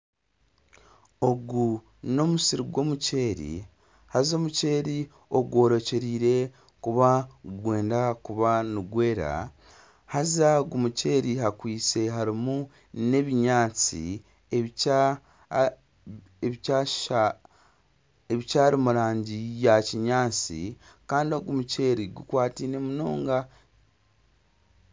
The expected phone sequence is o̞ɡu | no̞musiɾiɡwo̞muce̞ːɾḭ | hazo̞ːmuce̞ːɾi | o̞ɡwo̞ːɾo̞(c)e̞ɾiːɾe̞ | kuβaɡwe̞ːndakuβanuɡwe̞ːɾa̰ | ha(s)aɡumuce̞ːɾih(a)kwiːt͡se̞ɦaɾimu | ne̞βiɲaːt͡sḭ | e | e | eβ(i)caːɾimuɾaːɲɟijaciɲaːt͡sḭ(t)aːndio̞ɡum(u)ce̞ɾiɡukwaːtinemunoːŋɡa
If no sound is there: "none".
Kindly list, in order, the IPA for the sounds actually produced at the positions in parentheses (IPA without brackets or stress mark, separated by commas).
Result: c, z, a, i, k, u